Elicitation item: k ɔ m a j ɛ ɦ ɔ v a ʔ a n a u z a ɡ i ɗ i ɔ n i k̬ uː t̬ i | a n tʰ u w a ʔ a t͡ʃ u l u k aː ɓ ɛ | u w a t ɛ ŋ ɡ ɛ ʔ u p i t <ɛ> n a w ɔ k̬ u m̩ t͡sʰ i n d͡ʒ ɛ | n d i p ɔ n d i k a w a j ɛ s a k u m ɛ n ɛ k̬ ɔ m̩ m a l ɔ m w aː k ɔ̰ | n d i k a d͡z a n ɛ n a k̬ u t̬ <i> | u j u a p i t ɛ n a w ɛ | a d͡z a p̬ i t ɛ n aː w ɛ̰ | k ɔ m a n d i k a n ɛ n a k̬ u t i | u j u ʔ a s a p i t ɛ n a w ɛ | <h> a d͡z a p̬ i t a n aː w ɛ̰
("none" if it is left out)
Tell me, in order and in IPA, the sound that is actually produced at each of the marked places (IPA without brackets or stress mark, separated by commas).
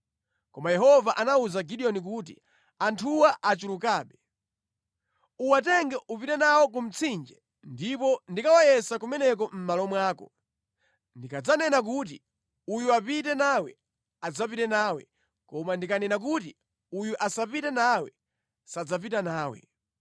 ɛ, i, s